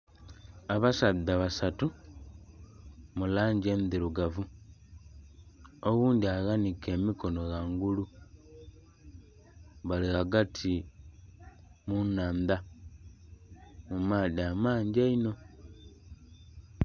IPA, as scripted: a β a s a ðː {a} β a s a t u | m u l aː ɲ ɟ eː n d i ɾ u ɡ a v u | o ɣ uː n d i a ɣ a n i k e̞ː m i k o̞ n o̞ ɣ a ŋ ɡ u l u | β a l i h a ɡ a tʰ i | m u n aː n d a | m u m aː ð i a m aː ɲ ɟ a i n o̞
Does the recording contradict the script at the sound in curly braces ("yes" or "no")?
no